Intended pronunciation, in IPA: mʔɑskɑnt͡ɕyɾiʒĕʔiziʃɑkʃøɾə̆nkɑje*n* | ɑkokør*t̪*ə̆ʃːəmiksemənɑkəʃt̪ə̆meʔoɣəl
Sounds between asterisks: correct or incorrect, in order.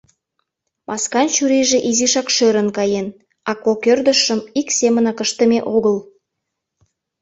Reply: correct, incorrect: d̪

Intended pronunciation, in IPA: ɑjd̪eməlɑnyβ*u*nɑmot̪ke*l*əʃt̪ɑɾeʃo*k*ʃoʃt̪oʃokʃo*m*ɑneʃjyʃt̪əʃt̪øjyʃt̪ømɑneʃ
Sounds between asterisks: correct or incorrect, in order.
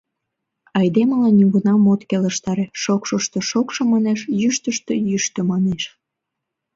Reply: correct, correct, correct, correct

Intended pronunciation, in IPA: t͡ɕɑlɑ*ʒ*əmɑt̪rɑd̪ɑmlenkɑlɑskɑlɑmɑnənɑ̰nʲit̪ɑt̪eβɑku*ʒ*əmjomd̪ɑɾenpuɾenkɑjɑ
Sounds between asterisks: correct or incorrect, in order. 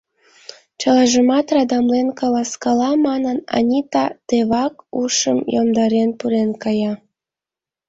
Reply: correct, incorrect: ʃ

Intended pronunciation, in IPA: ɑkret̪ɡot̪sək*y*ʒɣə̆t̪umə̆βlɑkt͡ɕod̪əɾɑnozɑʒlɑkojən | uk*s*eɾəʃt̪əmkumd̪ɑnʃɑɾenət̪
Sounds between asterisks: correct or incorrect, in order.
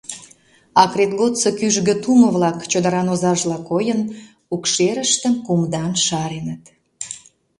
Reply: correct, incorrect: ʃ

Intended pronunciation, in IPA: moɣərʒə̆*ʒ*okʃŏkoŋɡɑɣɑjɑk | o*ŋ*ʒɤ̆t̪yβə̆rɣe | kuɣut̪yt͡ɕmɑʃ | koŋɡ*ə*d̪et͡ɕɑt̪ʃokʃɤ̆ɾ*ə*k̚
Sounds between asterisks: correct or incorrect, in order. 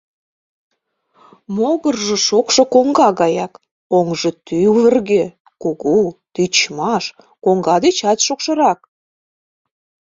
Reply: incorrect: ʃ, correct, incorrect: ɑ, incorrect: ɑ

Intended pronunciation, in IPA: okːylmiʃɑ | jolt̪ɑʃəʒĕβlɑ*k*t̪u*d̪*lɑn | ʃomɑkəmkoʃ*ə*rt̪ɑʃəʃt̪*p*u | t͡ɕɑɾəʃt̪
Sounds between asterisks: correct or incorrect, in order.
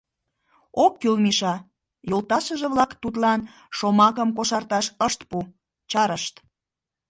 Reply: correct, incorrect: t̪, incorrect: ɑ, correct

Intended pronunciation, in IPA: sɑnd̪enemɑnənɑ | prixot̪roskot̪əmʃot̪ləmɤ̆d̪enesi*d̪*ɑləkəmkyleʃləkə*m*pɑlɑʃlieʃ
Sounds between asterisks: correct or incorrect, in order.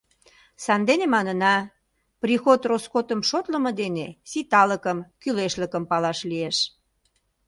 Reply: incorrect: t̪, correct

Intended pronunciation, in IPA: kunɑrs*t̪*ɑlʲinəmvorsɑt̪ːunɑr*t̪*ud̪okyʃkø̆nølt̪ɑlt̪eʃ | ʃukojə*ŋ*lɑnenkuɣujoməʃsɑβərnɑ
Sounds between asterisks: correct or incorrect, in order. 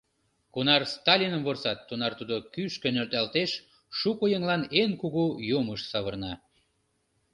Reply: correct, correct, correct

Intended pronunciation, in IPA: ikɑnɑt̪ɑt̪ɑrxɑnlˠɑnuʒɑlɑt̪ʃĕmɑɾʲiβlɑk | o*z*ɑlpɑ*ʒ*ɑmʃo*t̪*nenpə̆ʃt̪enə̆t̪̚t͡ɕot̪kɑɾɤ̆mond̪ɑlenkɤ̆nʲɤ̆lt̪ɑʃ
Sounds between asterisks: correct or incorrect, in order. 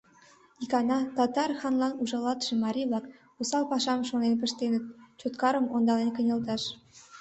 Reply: incorrect: s, incorrect: ʃ, incorrect: none

